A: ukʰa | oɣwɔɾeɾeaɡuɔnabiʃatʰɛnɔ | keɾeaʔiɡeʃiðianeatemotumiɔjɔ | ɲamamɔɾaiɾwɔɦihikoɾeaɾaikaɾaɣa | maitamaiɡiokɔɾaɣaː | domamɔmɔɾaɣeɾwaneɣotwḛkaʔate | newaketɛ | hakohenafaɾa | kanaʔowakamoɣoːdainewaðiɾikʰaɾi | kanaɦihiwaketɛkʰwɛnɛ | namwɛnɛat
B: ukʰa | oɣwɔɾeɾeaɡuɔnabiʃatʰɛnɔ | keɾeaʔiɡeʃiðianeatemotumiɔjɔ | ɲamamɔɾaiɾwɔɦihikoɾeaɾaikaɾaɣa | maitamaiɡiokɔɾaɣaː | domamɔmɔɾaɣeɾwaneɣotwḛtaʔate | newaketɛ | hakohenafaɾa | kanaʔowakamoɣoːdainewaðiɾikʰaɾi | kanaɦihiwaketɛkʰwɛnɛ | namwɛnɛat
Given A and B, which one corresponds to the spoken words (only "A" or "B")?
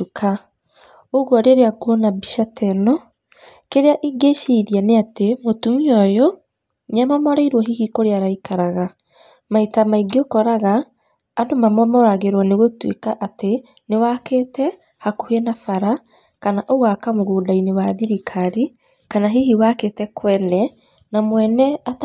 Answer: A